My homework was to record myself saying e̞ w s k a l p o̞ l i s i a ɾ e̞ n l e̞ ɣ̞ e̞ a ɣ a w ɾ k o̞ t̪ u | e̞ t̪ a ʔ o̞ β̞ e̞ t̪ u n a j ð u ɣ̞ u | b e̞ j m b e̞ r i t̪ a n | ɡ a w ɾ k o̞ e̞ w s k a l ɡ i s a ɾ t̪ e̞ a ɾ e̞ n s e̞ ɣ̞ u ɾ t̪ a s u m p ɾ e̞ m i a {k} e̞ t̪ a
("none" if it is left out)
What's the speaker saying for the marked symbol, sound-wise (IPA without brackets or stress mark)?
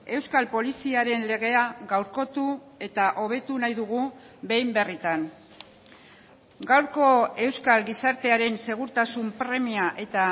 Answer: ʔ